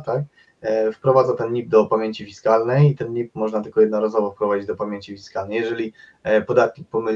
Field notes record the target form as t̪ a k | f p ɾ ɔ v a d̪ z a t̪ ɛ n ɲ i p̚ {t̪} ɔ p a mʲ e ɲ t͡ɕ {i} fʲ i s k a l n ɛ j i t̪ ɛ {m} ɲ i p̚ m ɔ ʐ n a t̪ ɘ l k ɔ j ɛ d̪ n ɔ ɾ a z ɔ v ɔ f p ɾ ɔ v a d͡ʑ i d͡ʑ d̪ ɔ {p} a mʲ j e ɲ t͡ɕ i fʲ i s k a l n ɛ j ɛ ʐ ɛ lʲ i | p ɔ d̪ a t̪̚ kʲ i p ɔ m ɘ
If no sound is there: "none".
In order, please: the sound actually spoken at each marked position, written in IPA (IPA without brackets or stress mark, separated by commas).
d̪, i, n, p